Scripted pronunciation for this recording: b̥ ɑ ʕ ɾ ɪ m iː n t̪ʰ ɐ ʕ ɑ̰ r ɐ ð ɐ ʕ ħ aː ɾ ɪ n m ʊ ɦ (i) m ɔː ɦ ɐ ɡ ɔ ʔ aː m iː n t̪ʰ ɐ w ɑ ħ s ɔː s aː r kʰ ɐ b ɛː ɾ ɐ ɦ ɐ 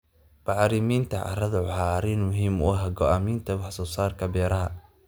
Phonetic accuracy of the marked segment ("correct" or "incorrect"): incorrect